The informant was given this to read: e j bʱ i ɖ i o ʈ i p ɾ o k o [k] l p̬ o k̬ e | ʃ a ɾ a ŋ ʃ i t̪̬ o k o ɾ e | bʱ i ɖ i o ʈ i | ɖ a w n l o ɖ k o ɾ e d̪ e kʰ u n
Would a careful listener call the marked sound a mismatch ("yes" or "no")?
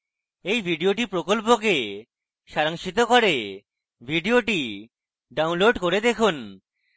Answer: yes